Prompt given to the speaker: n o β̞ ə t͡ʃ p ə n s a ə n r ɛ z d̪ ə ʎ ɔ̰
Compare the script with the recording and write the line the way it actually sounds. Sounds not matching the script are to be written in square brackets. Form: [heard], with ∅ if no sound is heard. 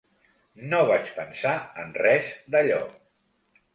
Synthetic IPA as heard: n o β̞ [a] t͡ʃ p ə n s a ə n r ɛ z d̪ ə ʎ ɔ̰